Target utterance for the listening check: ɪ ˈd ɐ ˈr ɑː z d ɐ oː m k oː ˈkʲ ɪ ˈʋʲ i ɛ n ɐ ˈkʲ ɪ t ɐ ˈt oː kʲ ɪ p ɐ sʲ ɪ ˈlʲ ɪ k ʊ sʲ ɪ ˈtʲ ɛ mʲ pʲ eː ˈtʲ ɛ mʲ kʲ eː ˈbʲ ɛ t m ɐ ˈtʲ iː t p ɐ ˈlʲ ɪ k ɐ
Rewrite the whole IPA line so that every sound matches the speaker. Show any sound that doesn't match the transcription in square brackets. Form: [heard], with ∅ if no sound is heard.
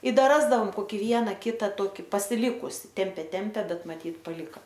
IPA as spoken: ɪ ˈd ɐ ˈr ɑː z d ɐ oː m k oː ˈkʲ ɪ ˈʋʲ i ɛ n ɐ ˈkʲ ɪ t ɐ ˈt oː kʲ ɪ p ɐ sʲ ɪ ˈlʲ ɪ k ʊ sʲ ɪ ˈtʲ ɛ mʲ pʲ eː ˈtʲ ɛ mʲ [pʲ] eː ˈbʲ ɛ t m ɐ ˈtʲ iː t p ɐ ˈlʲ ɪ k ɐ